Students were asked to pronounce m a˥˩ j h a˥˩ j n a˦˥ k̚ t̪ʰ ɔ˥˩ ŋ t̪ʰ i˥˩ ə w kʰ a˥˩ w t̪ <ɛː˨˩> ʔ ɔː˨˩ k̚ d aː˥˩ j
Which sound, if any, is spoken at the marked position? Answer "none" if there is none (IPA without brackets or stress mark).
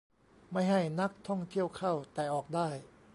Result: ɛː˨˩